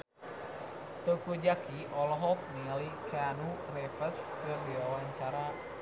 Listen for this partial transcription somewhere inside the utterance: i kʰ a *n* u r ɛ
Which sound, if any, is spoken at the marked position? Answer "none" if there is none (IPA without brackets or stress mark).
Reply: n